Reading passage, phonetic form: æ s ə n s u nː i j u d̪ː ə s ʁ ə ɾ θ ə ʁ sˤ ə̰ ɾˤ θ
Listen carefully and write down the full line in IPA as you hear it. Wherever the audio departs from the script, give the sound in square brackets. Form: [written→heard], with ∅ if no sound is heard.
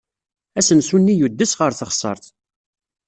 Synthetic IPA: æ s ə n s u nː i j u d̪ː ə s ʁ ə ɾ θ ə [ʁ→χ] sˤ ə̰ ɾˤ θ

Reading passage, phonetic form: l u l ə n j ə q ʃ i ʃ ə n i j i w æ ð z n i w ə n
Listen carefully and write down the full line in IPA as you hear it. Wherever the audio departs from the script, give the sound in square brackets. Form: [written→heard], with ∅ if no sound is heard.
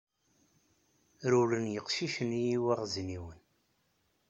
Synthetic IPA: [l→ɾ] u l ə n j ə q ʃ i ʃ ə n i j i w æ [ð→ʁ] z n i w ə n

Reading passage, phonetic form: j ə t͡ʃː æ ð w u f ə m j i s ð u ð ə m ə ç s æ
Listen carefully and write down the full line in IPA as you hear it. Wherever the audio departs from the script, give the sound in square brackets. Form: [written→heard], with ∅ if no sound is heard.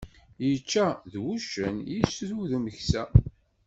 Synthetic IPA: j ə t͡ʃː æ ð w u [f→ʃ] ə [m→n] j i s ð u ð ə m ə ç s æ

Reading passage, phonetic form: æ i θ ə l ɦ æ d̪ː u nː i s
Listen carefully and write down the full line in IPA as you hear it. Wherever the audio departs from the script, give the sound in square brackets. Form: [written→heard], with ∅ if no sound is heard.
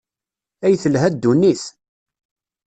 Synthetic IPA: æ [i→j] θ ə l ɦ æ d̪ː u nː i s

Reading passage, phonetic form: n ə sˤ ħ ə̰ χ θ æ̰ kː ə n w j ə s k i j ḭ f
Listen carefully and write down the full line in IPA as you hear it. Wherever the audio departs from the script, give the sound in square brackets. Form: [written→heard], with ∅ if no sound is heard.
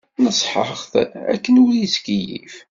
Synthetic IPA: n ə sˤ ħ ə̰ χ θ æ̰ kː ə n w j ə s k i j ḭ f

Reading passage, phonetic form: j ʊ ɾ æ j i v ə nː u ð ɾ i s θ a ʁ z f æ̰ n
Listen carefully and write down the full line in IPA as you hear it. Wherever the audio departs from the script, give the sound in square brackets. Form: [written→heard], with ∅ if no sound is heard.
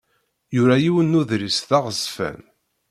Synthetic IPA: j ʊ ɾ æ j i [v→w] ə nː u ð ɾ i s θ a ʁ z f æ̰ n

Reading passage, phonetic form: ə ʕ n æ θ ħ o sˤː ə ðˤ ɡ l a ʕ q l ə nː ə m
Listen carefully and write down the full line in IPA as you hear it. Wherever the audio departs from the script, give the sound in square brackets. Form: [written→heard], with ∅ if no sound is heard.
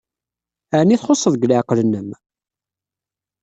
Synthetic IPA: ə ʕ n [æ→i] θ [ħ→χ] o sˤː ə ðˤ ɡ l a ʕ q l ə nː ə m

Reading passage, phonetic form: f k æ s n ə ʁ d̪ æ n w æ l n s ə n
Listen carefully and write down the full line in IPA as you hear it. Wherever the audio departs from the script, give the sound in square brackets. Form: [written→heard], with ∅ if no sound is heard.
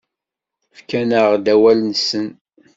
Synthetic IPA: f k æ [s→∅] n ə ʁ d̪ æ [n→∅] w æ l n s ə n

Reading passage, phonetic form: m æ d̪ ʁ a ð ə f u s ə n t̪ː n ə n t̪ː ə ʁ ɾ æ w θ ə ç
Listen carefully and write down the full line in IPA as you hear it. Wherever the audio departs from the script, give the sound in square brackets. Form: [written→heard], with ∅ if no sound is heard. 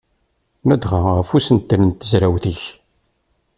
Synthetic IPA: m æ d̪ ʁ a [ð→ʁ] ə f u s ə n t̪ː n ə n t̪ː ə [ʁ→z] ɾ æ w θ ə ç

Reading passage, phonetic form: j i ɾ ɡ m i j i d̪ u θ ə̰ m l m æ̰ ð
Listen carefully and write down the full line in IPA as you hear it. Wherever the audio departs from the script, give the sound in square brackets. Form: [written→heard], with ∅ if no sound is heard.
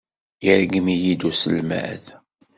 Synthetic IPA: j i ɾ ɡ m i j i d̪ u [θ→s] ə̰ [m→∅] l m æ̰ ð

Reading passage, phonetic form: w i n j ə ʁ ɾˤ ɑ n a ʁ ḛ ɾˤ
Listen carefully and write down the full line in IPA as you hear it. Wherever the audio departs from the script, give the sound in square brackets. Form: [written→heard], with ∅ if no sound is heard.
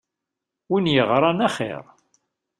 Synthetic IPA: w i n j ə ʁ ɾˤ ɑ n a [ʁ→χ] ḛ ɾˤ

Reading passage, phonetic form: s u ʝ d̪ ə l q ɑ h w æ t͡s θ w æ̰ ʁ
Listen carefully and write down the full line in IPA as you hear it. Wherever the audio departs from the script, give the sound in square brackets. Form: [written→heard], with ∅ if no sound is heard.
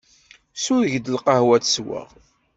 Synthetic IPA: s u ʝ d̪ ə l q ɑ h w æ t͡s [θ→s] w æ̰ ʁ

